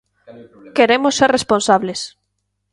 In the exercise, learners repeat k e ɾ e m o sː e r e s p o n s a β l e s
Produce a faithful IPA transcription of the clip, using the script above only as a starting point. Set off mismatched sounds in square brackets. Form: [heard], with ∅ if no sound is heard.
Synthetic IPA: k e ɾ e m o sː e r e s p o n s a β l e s